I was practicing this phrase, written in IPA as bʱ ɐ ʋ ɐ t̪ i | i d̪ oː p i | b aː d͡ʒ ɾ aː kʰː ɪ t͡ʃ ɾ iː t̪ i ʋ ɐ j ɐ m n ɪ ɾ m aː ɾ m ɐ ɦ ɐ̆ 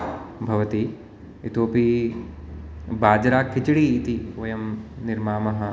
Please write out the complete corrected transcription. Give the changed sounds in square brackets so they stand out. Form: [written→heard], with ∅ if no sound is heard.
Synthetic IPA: bʱ ɐ ʋ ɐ t̪ i | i [d̪→t̪] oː p i | b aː d͡ʒ ɾ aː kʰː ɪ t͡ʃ [ɾ→ɽ] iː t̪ i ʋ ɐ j ɐ m n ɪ ɾ m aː [ɾ→∅] m ɐ ɦ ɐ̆